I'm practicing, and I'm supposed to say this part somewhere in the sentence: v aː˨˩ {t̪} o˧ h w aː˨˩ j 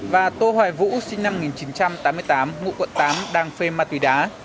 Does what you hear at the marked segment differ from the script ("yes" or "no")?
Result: no